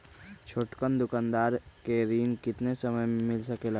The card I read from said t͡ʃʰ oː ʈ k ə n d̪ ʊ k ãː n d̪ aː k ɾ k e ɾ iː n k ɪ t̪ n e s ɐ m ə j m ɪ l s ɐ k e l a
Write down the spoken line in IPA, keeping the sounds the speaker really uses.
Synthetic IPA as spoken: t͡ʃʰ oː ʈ k ə n d̪ ʊ k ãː n d̪ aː ɾ k e ɾ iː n k ɪ t̪ n e s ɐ m ə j m ɪ l s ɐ k e l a